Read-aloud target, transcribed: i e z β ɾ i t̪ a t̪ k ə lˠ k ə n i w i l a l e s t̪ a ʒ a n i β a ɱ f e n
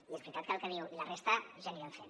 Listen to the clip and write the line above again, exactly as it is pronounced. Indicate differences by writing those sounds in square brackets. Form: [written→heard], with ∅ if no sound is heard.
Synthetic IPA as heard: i e z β ɾ i t̪ a t̪ k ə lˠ k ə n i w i l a [l→r] e s t̪ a ʒ a n i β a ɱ f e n